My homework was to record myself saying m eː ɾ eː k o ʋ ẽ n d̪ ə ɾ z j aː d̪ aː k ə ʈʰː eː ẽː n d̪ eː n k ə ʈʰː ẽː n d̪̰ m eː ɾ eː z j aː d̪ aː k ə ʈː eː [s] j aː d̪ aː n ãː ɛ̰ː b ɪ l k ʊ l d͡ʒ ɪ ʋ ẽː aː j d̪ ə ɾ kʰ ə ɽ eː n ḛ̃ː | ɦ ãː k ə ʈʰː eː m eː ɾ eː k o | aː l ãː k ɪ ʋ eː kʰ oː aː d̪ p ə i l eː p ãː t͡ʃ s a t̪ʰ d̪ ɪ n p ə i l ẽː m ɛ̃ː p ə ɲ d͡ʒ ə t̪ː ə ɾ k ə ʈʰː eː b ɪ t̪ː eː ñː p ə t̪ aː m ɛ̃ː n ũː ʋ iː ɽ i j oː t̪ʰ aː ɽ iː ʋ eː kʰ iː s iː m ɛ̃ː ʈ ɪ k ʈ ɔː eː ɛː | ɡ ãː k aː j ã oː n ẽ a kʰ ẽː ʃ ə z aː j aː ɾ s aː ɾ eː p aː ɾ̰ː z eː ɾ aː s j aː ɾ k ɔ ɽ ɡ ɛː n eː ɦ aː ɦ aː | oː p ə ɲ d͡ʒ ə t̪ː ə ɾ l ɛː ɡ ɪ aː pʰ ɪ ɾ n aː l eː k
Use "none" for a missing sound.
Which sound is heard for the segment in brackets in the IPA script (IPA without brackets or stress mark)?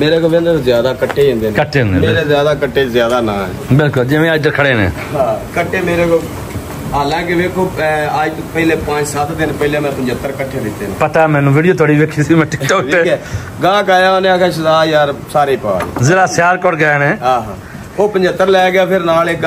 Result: z